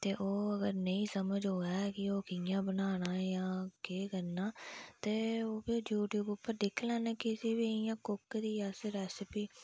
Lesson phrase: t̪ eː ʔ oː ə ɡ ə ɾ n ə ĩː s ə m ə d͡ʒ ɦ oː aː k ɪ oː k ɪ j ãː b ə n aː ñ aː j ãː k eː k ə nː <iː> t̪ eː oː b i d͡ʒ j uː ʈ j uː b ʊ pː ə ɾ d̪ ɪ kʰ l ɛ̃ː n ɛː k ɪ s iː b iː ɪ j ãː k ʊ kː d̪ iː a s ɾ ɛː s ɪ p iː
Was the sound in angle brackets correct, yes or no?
no